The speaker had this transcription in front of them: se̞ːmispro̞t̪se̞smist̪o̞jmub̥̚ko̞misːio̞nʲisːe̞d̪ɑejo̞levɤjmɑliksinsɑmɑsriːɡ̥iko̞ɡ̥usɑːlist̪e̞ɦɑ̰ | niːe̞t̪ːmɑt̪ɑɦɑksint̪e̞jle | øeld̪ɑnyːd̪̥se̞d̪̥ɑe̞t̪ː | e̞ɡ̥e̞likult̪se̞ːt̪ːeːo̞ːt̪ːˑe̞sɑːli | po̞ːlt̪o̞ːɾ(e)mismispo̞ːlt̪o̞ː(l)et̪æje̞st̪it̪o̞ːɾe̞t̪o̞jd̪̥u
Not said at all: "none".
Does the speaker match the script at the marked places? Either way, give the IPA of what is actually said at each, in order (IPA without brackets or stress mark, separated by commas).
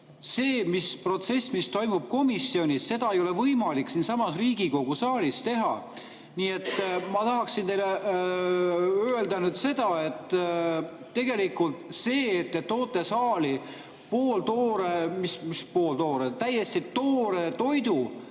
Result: e, ɾ